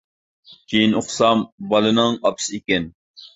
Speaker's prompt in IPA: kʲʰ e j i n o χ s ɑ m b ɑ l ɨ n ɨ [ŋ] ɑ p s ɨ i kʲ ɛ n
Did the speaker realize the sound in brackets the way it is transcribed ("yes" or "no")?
yes